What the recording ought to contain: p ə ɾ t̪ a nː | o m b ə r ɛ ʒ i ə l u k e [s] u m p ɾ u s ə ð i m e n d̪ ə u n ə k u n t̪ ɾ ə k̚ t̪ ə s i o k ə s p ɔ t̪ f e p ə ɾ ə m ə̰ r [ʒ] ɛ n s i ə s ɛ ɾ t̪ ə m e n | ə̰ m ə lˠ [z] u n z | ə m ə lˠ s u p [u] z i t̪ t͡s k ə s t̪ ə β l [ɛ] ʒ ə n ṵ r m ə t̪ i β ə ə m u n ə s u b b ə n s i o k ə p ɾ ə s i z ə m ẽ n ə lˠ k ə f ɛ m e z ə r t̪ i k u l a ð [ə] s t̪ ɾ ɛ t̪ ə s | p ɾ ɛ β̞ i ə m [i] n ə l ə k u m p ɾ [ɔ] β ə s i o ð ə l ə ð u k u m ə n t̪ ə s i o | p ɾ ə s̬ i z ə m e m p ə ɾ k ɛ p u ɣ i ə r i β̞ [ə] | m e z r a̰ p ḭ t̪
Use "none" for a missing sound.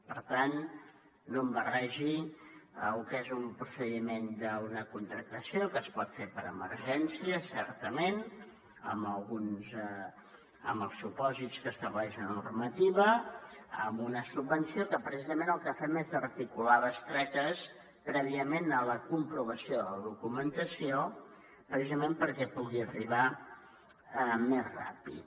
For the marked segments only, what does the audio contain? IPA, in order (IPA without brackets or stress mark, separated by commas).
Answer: z, ʒ, ɣ, ɔ, ɛ, ə, e, u, a